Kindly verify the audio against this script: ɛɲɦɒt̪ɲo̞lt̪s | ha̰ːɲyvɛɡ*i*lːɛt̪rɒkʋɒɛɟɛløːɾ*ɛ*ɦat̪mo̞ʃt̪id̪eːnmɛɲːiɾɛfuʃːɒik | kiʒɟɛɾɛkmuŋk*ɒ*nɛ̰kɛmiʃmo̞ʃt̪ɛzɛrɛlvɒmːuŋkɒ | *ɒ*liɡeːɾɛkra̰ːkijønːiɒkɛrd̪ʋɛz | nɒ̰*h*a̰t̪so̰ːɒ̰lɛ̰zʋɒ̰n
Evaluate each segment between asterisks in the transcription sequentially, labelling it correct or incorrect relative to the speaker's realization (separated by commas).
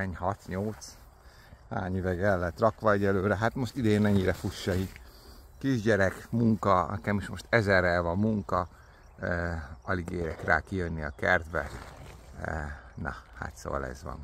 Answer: incorrect, correct, correct, correct, correct